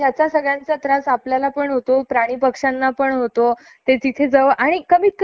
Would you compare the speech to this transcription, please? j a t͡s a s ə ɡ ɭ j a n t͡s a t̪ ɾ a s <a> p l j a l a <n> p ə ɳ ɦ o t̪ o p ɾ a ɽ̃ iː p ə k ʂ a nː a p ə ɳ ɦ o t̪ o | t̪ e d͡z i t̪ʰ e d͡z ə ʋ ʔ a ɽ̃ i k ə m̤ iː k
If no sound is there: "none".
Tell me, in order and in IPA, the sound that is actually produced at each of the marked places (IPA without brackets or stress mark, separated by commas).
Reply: a, none